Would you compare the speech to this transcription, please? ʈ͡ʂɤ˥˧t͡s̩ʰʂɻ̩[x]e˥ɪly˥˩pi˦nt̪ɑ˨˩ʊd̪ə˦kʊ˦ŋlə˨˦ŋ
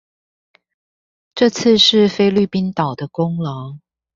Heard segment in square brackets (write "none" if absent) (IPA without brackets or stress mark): f